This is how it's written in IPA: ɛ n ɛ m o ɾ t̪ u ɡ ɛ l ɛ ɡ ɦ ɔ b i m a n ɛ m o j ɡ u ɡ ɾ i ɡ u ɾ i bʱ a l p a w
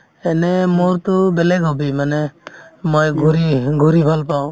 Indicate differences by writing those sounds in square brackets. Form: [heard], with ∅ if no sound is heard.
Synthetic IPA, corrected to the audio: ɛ n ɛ m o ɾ t̪ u [b] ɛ l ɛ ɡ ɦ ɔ b i m a n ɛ m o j ɡ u [∅] ɾ i ɡ u ɾ i bʱ a l p a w